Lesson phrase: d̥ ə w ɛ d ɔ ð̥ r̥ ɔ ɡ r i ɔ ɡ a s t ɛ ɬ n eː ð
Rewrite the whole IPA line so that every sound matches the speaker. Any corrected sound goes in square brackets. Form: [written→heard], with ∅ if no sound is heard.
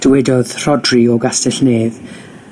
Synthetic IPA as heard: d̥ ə w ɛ d ɔ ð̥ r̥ ɔ [ɡ→d] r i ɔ ɡ a s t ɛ ɬ n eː ð